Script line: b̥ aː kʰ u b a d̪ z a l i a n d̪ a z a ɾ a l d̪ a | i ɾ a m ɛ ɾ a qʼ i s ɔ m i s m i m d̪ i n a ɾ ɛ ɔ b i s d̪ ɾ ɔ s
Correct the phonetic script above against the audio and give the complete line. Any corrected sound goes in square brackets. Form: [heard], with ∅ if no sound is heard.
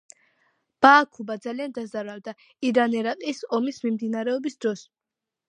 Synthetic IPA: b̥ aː kʰ u b a d̪ z a l i a n d̪ a z a ɾ a l d̪ a | i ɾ a [n] ɛ ɾ a qʼ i s ɔ m i s m i m d̪ i n a ɾ ɛ ɔ b i s d̪ ɾ ɔ s